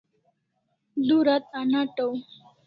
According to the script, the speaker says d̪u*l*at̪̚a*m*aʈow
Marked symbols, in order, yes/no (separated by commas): no, no